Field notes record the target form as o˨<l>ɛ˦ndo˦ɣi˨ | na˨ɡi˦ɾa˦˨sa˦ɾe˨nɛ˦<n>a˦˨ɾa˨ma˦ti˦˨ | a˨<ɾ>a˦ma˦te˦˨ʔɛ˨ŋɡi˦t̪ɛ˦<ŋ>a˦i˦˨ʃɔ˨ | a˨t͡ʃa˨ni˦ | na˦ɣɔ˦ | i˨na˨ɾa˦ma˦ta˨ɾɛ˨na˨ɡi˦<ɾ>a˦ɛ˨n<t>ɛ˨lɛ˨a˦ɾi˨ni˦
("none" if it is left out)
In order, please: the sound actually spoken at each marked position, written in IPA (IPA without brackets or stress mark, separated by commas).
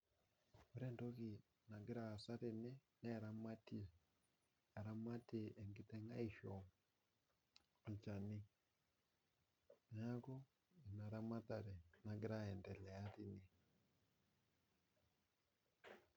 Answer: ɾ, n, ɾ, ŋ, ɾ, d